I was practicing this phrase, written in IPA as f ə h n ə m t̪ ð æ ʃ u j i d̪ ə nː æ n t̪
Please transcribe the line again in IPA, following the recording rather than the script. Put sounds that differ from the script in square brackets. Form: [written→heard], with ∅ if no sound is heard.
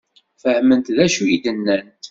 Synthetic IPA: f ə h [n→m] ə [m→n] t̪ ð æ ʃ u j i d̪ ə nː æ n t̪